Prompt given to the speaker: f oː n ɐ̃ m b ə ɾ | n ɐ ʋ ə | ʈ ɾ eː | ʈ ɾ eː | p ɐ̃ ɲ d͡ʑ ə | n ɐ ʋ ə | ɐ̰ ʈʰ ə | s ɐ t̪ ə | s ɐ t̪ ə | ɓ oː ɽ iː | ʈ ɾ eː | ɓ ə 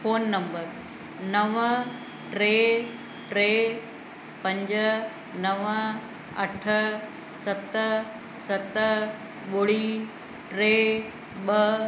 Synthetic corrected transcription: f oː nː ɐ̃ m b ə ɾ | n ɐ ʋ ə | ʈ ɾ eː | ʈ ɾ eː | p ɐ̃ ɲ d͡ʑ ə | n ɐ ʋ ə | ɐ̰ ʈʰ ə | s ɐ t̪ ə | s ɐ t̪ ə | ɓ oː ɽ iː | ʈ ɾ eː | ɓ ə